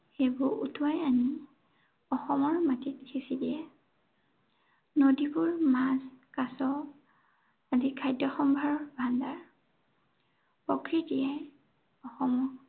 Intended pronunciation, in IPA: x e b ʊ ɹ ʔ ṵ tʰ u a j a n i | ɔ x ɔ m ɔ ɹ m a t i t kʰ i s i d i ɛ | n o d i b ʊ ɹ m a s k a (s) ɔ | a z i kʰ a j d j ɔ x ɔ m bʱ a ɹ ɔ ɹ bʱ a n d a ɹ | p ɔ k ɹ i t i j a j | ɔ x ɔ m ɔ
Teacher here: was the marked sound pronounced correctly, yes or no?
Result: yes